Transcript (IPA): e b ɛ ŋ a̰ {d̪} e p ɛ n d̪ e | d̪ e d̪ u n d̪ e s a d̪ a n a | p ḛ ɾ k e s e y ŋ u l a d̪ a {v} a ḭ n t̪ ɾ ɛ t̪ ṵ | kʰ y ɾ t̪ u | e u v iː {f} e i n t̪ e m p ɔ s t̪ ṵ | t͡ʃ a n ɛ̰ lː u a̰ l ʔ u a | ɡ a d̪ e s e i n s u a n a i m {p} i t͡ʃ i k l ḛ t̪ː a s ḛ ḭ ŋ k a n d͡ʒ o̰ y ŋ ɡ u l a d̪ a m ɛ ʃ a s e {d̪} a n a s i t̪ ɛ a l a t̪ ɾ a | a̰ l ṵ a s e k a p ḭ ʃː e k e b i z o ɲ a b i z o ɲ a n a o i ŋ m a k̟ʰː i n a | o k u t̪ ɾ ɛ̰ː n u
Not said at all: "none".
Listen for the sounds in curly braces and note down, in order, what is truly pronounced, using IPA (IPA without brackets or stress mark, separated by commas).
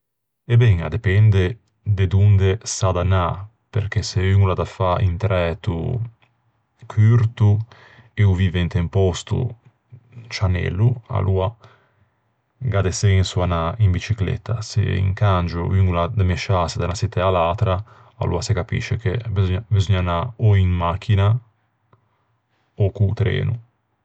d̪, f, v, b, d̪